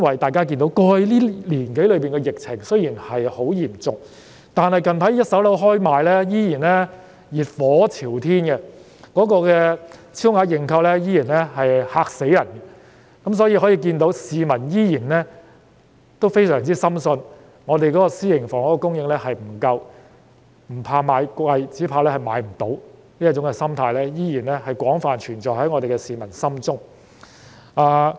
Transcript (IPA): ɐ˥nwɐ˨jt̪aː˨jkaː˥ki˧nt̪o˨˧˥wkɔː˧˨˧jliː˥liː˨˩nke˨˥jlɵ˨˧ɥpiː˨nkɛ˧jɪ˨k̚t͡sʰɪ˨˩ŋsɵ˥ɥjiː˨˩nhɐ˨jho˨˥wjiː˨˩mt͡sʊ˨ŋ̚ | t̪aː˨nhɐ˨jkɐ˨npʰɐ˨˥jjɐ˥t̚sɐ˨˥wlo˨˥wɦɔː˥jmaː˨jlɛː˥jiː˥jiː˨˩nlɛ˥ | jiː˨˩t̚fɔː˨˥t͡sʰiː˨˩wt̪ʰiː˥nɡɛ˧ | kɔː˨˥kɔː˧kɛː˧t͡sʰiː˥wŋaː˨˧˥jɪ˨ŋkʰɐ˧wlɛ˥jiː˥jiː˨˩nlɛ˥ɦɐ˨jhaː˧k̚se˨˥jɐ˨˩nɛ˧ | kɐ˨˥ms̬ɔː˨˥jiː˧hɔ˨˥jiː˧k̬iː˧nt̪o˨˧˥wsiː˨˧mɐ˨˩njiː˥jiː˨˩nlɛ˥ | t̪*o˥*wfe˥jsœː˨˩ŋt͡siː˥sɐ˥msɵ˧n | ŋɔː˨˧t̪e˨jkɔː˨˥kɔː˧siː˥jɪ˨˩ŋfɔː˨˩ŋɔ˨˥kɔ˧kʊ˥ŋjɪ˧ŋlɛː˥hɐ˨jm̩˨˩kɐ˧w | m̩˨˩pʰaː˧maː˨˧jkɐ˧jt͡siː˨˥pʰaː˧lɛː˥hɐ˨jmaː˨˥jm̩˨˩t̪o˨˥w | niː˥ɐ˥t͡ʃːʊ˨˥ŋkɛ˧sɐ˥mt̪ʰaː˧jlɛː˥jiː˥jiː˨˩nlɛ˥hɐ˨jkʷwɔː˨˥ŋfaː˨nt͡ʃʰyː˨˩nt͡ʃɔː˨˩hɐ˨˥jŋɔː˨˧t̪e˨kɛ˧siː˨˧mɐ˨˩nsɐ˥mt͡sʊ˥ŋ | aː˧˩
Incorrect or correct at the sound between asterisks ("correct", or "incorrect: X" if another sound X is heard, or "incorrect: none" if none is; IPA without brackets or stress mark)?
correct